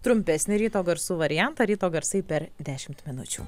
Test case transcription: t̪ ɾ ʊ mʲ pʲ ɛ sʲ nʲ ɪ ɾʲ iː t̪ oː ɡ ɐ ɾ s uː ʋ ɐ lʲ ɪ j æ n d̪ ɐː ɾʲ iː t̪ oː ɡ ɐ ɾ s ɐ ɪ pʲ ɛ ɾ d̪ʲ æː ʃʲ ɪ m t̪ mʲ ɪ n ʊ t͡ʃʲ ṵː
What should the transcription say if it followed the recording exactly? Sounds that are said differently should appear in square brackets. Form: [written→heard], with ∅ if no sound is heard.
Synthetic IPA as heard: t̪ ɾ ʊ mʲ pʲ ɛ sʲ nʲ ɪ ɾʲ iː t̪ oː ɡ ɐ ɾ s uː ʋ ɐ [lʲ→ɾʲ] ɪ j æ n [d̪→t̪] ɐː ɾʲ iː t̪ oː ɡ ɐ ɾ s ɐ ɪ pʲ ɛ ɾ d̪ʲ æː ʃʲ ɪ m t̪ mʲ ɪ n ʊ t͡ʃʲ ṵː